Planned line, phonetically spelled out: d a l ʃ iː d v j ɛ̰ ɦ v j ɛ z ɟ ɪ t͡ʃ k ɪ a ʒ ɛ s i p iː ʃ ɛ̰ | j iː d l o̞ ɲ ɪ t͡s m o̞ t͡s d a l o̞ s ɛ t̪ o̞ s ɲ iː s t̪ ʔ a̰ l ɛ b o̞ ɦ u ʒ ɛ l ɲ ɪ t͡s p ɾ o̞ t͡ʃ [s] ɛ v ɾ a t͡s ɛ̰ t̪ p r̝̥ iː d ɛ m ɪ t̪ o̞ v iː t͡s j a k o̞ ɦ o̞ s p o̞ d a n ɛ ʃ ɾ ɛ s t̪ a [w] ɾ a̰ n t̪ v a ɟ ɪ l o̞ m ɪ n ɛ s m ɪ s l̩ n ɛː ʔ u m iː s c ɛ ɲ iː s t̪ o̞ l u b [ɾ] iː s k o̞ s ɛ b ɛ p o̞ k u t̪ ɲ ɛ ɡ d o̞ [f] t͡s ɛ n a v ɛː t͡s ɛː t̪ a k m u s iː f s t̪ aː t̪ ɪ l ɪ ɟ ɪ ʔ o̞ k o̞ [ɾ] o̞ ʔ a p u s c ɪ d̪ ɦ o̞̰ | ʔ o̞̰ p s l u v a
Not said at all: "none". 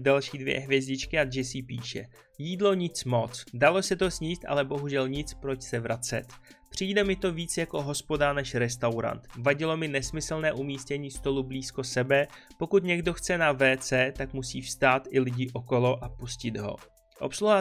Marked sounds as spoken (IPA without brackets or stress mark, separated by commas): s, w, l, x, l